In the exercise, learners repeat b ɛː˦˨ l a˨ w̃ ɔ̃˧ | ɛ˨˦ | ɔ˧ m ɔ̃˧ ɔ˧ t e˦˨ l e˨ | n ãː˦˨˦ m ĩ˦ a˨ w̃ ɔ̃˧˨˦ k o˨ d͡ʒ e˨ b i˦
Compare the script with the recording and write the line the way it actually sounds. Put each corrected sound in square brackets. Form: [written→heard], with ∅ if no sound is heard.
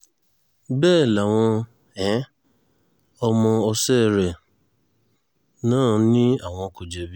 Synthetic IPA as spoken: b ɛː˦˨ l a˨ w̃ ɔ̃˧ | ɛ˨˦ | ɔ˧ m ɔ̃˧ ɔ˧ [t→s] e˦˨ [l→ɾ] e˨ | n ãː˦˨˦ [m→n] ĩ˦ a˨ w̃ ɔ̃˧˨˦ k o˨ d͡ʒ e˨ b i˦